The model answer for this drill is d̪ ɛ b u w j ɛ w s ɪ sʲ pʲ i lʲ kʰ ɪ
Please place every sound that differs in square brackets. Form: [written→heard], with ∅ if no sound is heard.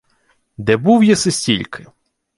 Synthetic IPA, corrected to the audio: d̪ ɛ b u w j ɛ [w→∅] s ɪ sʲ [pʲ→tʲ] i lʲ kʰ ɪ